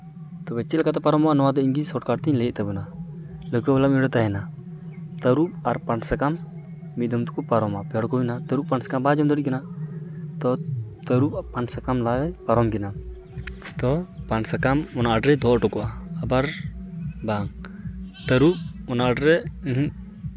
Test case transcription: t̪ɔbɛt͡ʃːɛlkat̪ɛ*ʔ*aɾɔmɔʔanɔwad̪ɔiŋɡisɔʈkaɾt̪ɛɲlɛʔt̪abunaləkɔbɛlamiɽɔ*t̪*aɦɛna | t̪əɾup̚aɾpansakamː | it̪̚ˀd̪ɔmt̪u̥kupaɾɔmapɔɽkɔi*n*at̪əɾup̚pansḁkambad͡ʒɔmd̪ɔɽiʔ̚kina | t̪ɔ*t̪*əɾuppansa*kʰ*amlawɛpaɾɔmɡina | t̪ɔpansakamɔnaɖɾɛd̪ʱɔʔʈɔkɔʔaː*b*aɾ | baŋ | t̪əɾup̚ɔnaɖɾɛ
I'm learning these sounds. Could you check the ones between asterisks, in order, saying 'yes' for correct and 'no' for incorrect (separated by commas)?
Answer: no, yes, yes, yes, no, yes